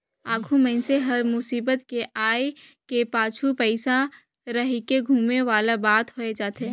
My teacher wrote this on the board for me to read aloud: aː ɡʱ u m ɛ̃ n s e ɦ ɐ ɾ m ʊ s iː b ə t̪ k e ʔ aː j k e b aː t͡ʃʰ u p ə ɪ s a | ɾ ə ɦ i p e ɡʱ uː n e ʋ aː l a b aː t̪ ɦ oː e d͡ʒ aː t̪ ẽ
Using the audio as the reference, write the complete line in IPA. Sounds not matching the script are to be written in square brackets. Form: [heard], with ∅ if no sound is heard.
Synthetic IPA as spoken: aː ɡʱ u m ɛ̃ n s e ɦ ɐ ɾ m ʊ s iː b ə t̪ k e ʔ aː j k e [p] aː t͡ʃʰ u p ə ɪ s a | ɾ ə ɦ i [k] e ɡʱ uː [m] e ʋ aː l a b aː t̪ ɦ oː e d͡ʒ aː t̪ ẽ